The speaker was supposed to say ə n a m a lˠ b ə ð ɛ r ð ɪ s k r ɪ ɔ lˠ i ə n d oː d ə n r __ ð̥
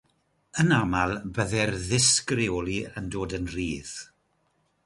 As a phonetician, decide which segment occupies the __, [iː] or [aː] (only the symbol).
iː